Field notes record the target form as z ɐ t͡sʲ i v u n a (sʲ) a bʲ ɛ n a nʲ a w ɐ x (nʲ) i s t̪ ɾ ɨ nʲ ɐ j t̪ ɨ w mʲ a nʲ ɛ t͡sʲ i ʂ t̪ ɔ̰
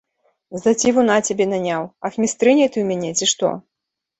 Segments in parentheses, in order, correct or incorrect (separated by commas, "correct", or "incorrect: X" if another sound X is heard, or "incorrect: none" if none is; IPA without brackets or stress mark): incorrect: t͡sʲ, incorrect: mʲ